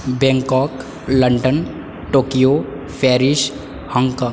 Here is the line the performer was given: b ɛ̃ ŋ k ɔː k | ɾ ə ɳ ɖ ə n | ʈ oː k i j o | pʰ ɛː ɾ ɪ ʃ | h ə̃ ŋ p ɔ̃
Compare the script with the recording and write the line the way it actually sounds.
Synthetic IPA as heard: b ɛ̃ ŋ k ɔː k | l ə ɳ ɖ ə n | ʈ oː k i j o | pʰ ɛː ɾ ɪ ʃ | h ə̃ ŋ k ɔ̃